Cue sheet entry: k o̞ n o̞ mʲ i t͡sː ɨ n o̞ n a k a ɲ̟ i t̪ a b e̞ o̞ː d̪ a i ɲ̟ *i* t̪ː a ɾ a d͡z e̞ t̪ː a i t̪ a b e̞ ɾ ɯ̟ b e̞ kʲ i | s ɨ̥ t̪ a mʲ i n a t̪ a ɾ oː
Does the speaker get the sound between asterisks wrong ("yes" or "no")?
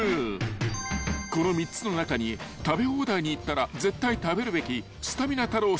yes